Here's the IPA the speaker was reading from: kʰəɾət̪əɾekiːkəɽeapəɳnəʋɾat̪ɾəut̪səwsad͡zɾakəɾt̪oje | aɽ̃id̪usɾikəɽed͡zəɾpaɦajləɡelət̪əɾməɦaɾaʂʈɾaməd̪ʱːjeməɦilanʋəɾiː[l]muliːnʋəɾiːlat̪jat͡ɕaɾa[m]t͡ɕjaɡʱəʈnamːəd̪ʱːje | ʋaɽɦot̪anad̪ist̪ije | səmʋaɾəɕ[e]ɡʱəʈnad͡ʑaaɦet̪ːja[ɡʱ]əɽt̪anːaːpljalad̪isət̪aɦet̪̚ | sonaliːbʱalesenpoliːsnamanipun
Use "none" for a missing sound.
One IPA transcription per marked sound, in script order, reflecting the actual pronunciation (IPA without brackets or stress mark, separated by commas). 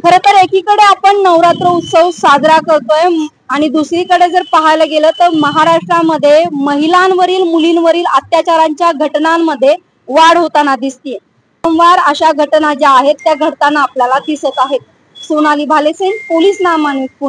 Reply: l, ɲ, a, ɡʱ